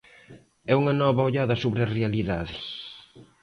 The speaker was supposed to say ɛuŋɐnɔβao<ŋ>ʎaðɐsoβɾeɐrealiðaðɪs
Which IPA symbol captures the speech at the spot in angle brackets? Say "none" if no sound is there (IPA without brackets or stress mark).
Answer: none